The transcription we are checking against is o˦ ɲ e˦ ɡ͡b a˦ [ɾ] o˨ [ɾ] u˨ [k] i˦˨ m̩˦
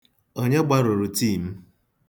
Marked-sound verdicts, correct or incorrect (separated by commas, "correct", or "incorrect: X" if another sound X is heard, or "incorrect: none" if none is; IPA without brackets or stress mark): correct, correct, incorrect: t